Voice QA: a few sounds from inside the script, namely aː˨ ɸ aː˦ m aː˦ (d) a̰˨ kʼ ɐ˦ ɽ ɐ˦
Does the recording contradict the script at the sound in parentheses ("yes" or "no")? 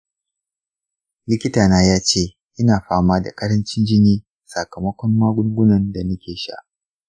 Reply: no